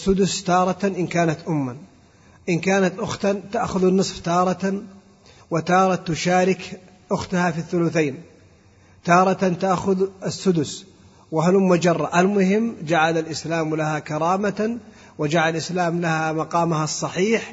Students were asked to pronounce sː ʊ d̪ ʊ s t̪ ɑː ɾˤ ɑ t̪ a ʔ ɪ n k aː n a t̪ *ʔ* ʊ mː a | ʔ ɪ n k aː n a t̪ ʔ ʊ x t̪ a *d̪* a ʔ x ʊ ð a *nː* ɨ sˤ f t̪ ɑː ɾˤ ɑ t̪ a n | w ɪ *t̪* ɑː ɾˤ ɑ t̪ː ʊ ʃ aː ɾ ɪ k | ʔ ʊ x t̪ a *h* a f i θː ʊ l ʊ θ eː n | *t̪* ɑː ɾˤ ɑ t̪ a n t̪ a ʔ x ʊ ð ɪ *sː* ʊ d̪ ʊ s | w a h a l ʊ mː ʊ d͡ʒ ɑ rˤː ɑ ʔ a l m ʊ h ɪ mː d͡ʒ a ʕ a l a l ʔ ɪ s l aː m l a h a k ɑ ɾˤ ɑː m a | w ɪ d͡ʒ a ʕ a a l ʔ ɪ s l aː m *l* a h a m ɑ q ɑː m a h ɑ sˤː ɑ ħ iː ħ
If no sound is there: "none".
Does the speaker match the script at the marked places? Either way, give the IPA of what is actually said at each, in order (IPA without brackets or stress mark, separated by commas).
ʔ, t̪, nː, t̪, h, t̪, sː, l